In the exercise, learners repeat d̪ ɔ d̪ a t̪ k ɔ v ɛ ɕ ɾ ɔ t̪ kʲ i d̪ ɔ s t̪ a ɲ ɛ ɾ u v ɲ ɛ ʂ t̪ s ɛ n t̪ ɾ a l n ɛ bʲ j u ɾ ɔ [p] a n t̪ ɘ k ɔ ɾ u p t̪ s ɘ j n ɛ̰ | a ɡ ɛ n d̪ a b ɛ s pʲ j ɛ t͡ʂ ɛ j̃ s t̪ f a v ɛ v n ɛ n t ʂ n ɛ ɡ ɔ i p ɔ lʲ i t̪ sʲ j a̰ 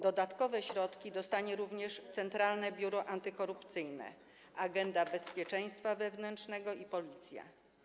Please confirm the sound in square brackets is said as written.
no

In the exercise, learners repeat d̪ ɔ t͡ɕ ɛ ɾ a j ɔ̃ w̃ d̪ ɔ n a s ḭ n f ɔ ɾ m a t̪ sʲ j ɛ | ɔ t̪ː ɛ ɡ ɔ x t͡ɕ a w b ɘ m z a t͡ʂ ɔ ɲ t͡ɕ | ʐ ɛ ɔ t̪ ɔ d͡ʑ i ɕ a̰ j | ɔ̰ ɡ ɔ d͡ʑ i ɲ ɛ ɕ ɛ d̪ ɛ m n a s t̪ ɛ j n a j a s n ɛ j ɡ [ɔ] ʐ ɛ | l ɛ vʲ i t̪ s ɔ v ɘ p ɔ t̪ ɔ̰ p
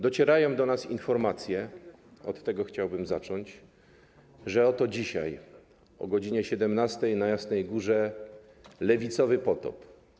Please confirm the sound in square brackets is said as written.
no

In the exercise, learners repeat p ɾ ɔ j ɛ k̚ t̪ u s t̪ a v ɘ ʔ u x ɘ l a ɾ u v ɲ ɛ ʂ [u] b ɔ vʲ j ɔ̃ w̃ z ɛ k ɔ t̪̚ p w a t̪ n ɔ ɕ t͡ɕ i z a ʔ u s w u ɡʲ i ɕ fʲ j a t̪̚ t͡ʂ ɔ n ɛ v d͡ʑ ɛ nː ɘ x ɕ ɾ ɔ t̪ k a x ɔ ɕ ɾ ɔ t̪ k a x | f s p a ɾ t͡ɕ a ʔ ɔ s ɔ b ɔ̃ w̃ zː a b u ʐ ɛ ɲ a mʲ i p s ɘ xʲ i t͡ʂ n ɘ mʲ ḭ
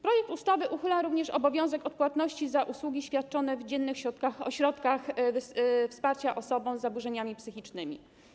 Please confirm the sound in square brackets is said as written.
no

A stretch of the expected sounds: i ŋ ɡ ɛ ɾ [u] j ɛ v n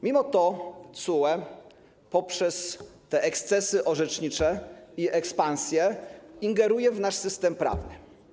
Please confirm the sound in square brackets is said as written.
yes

